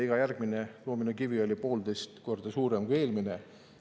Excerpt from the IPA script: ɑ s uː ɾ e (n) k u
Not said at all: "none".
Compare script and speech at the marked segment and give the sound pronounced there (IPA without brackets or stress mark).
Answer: m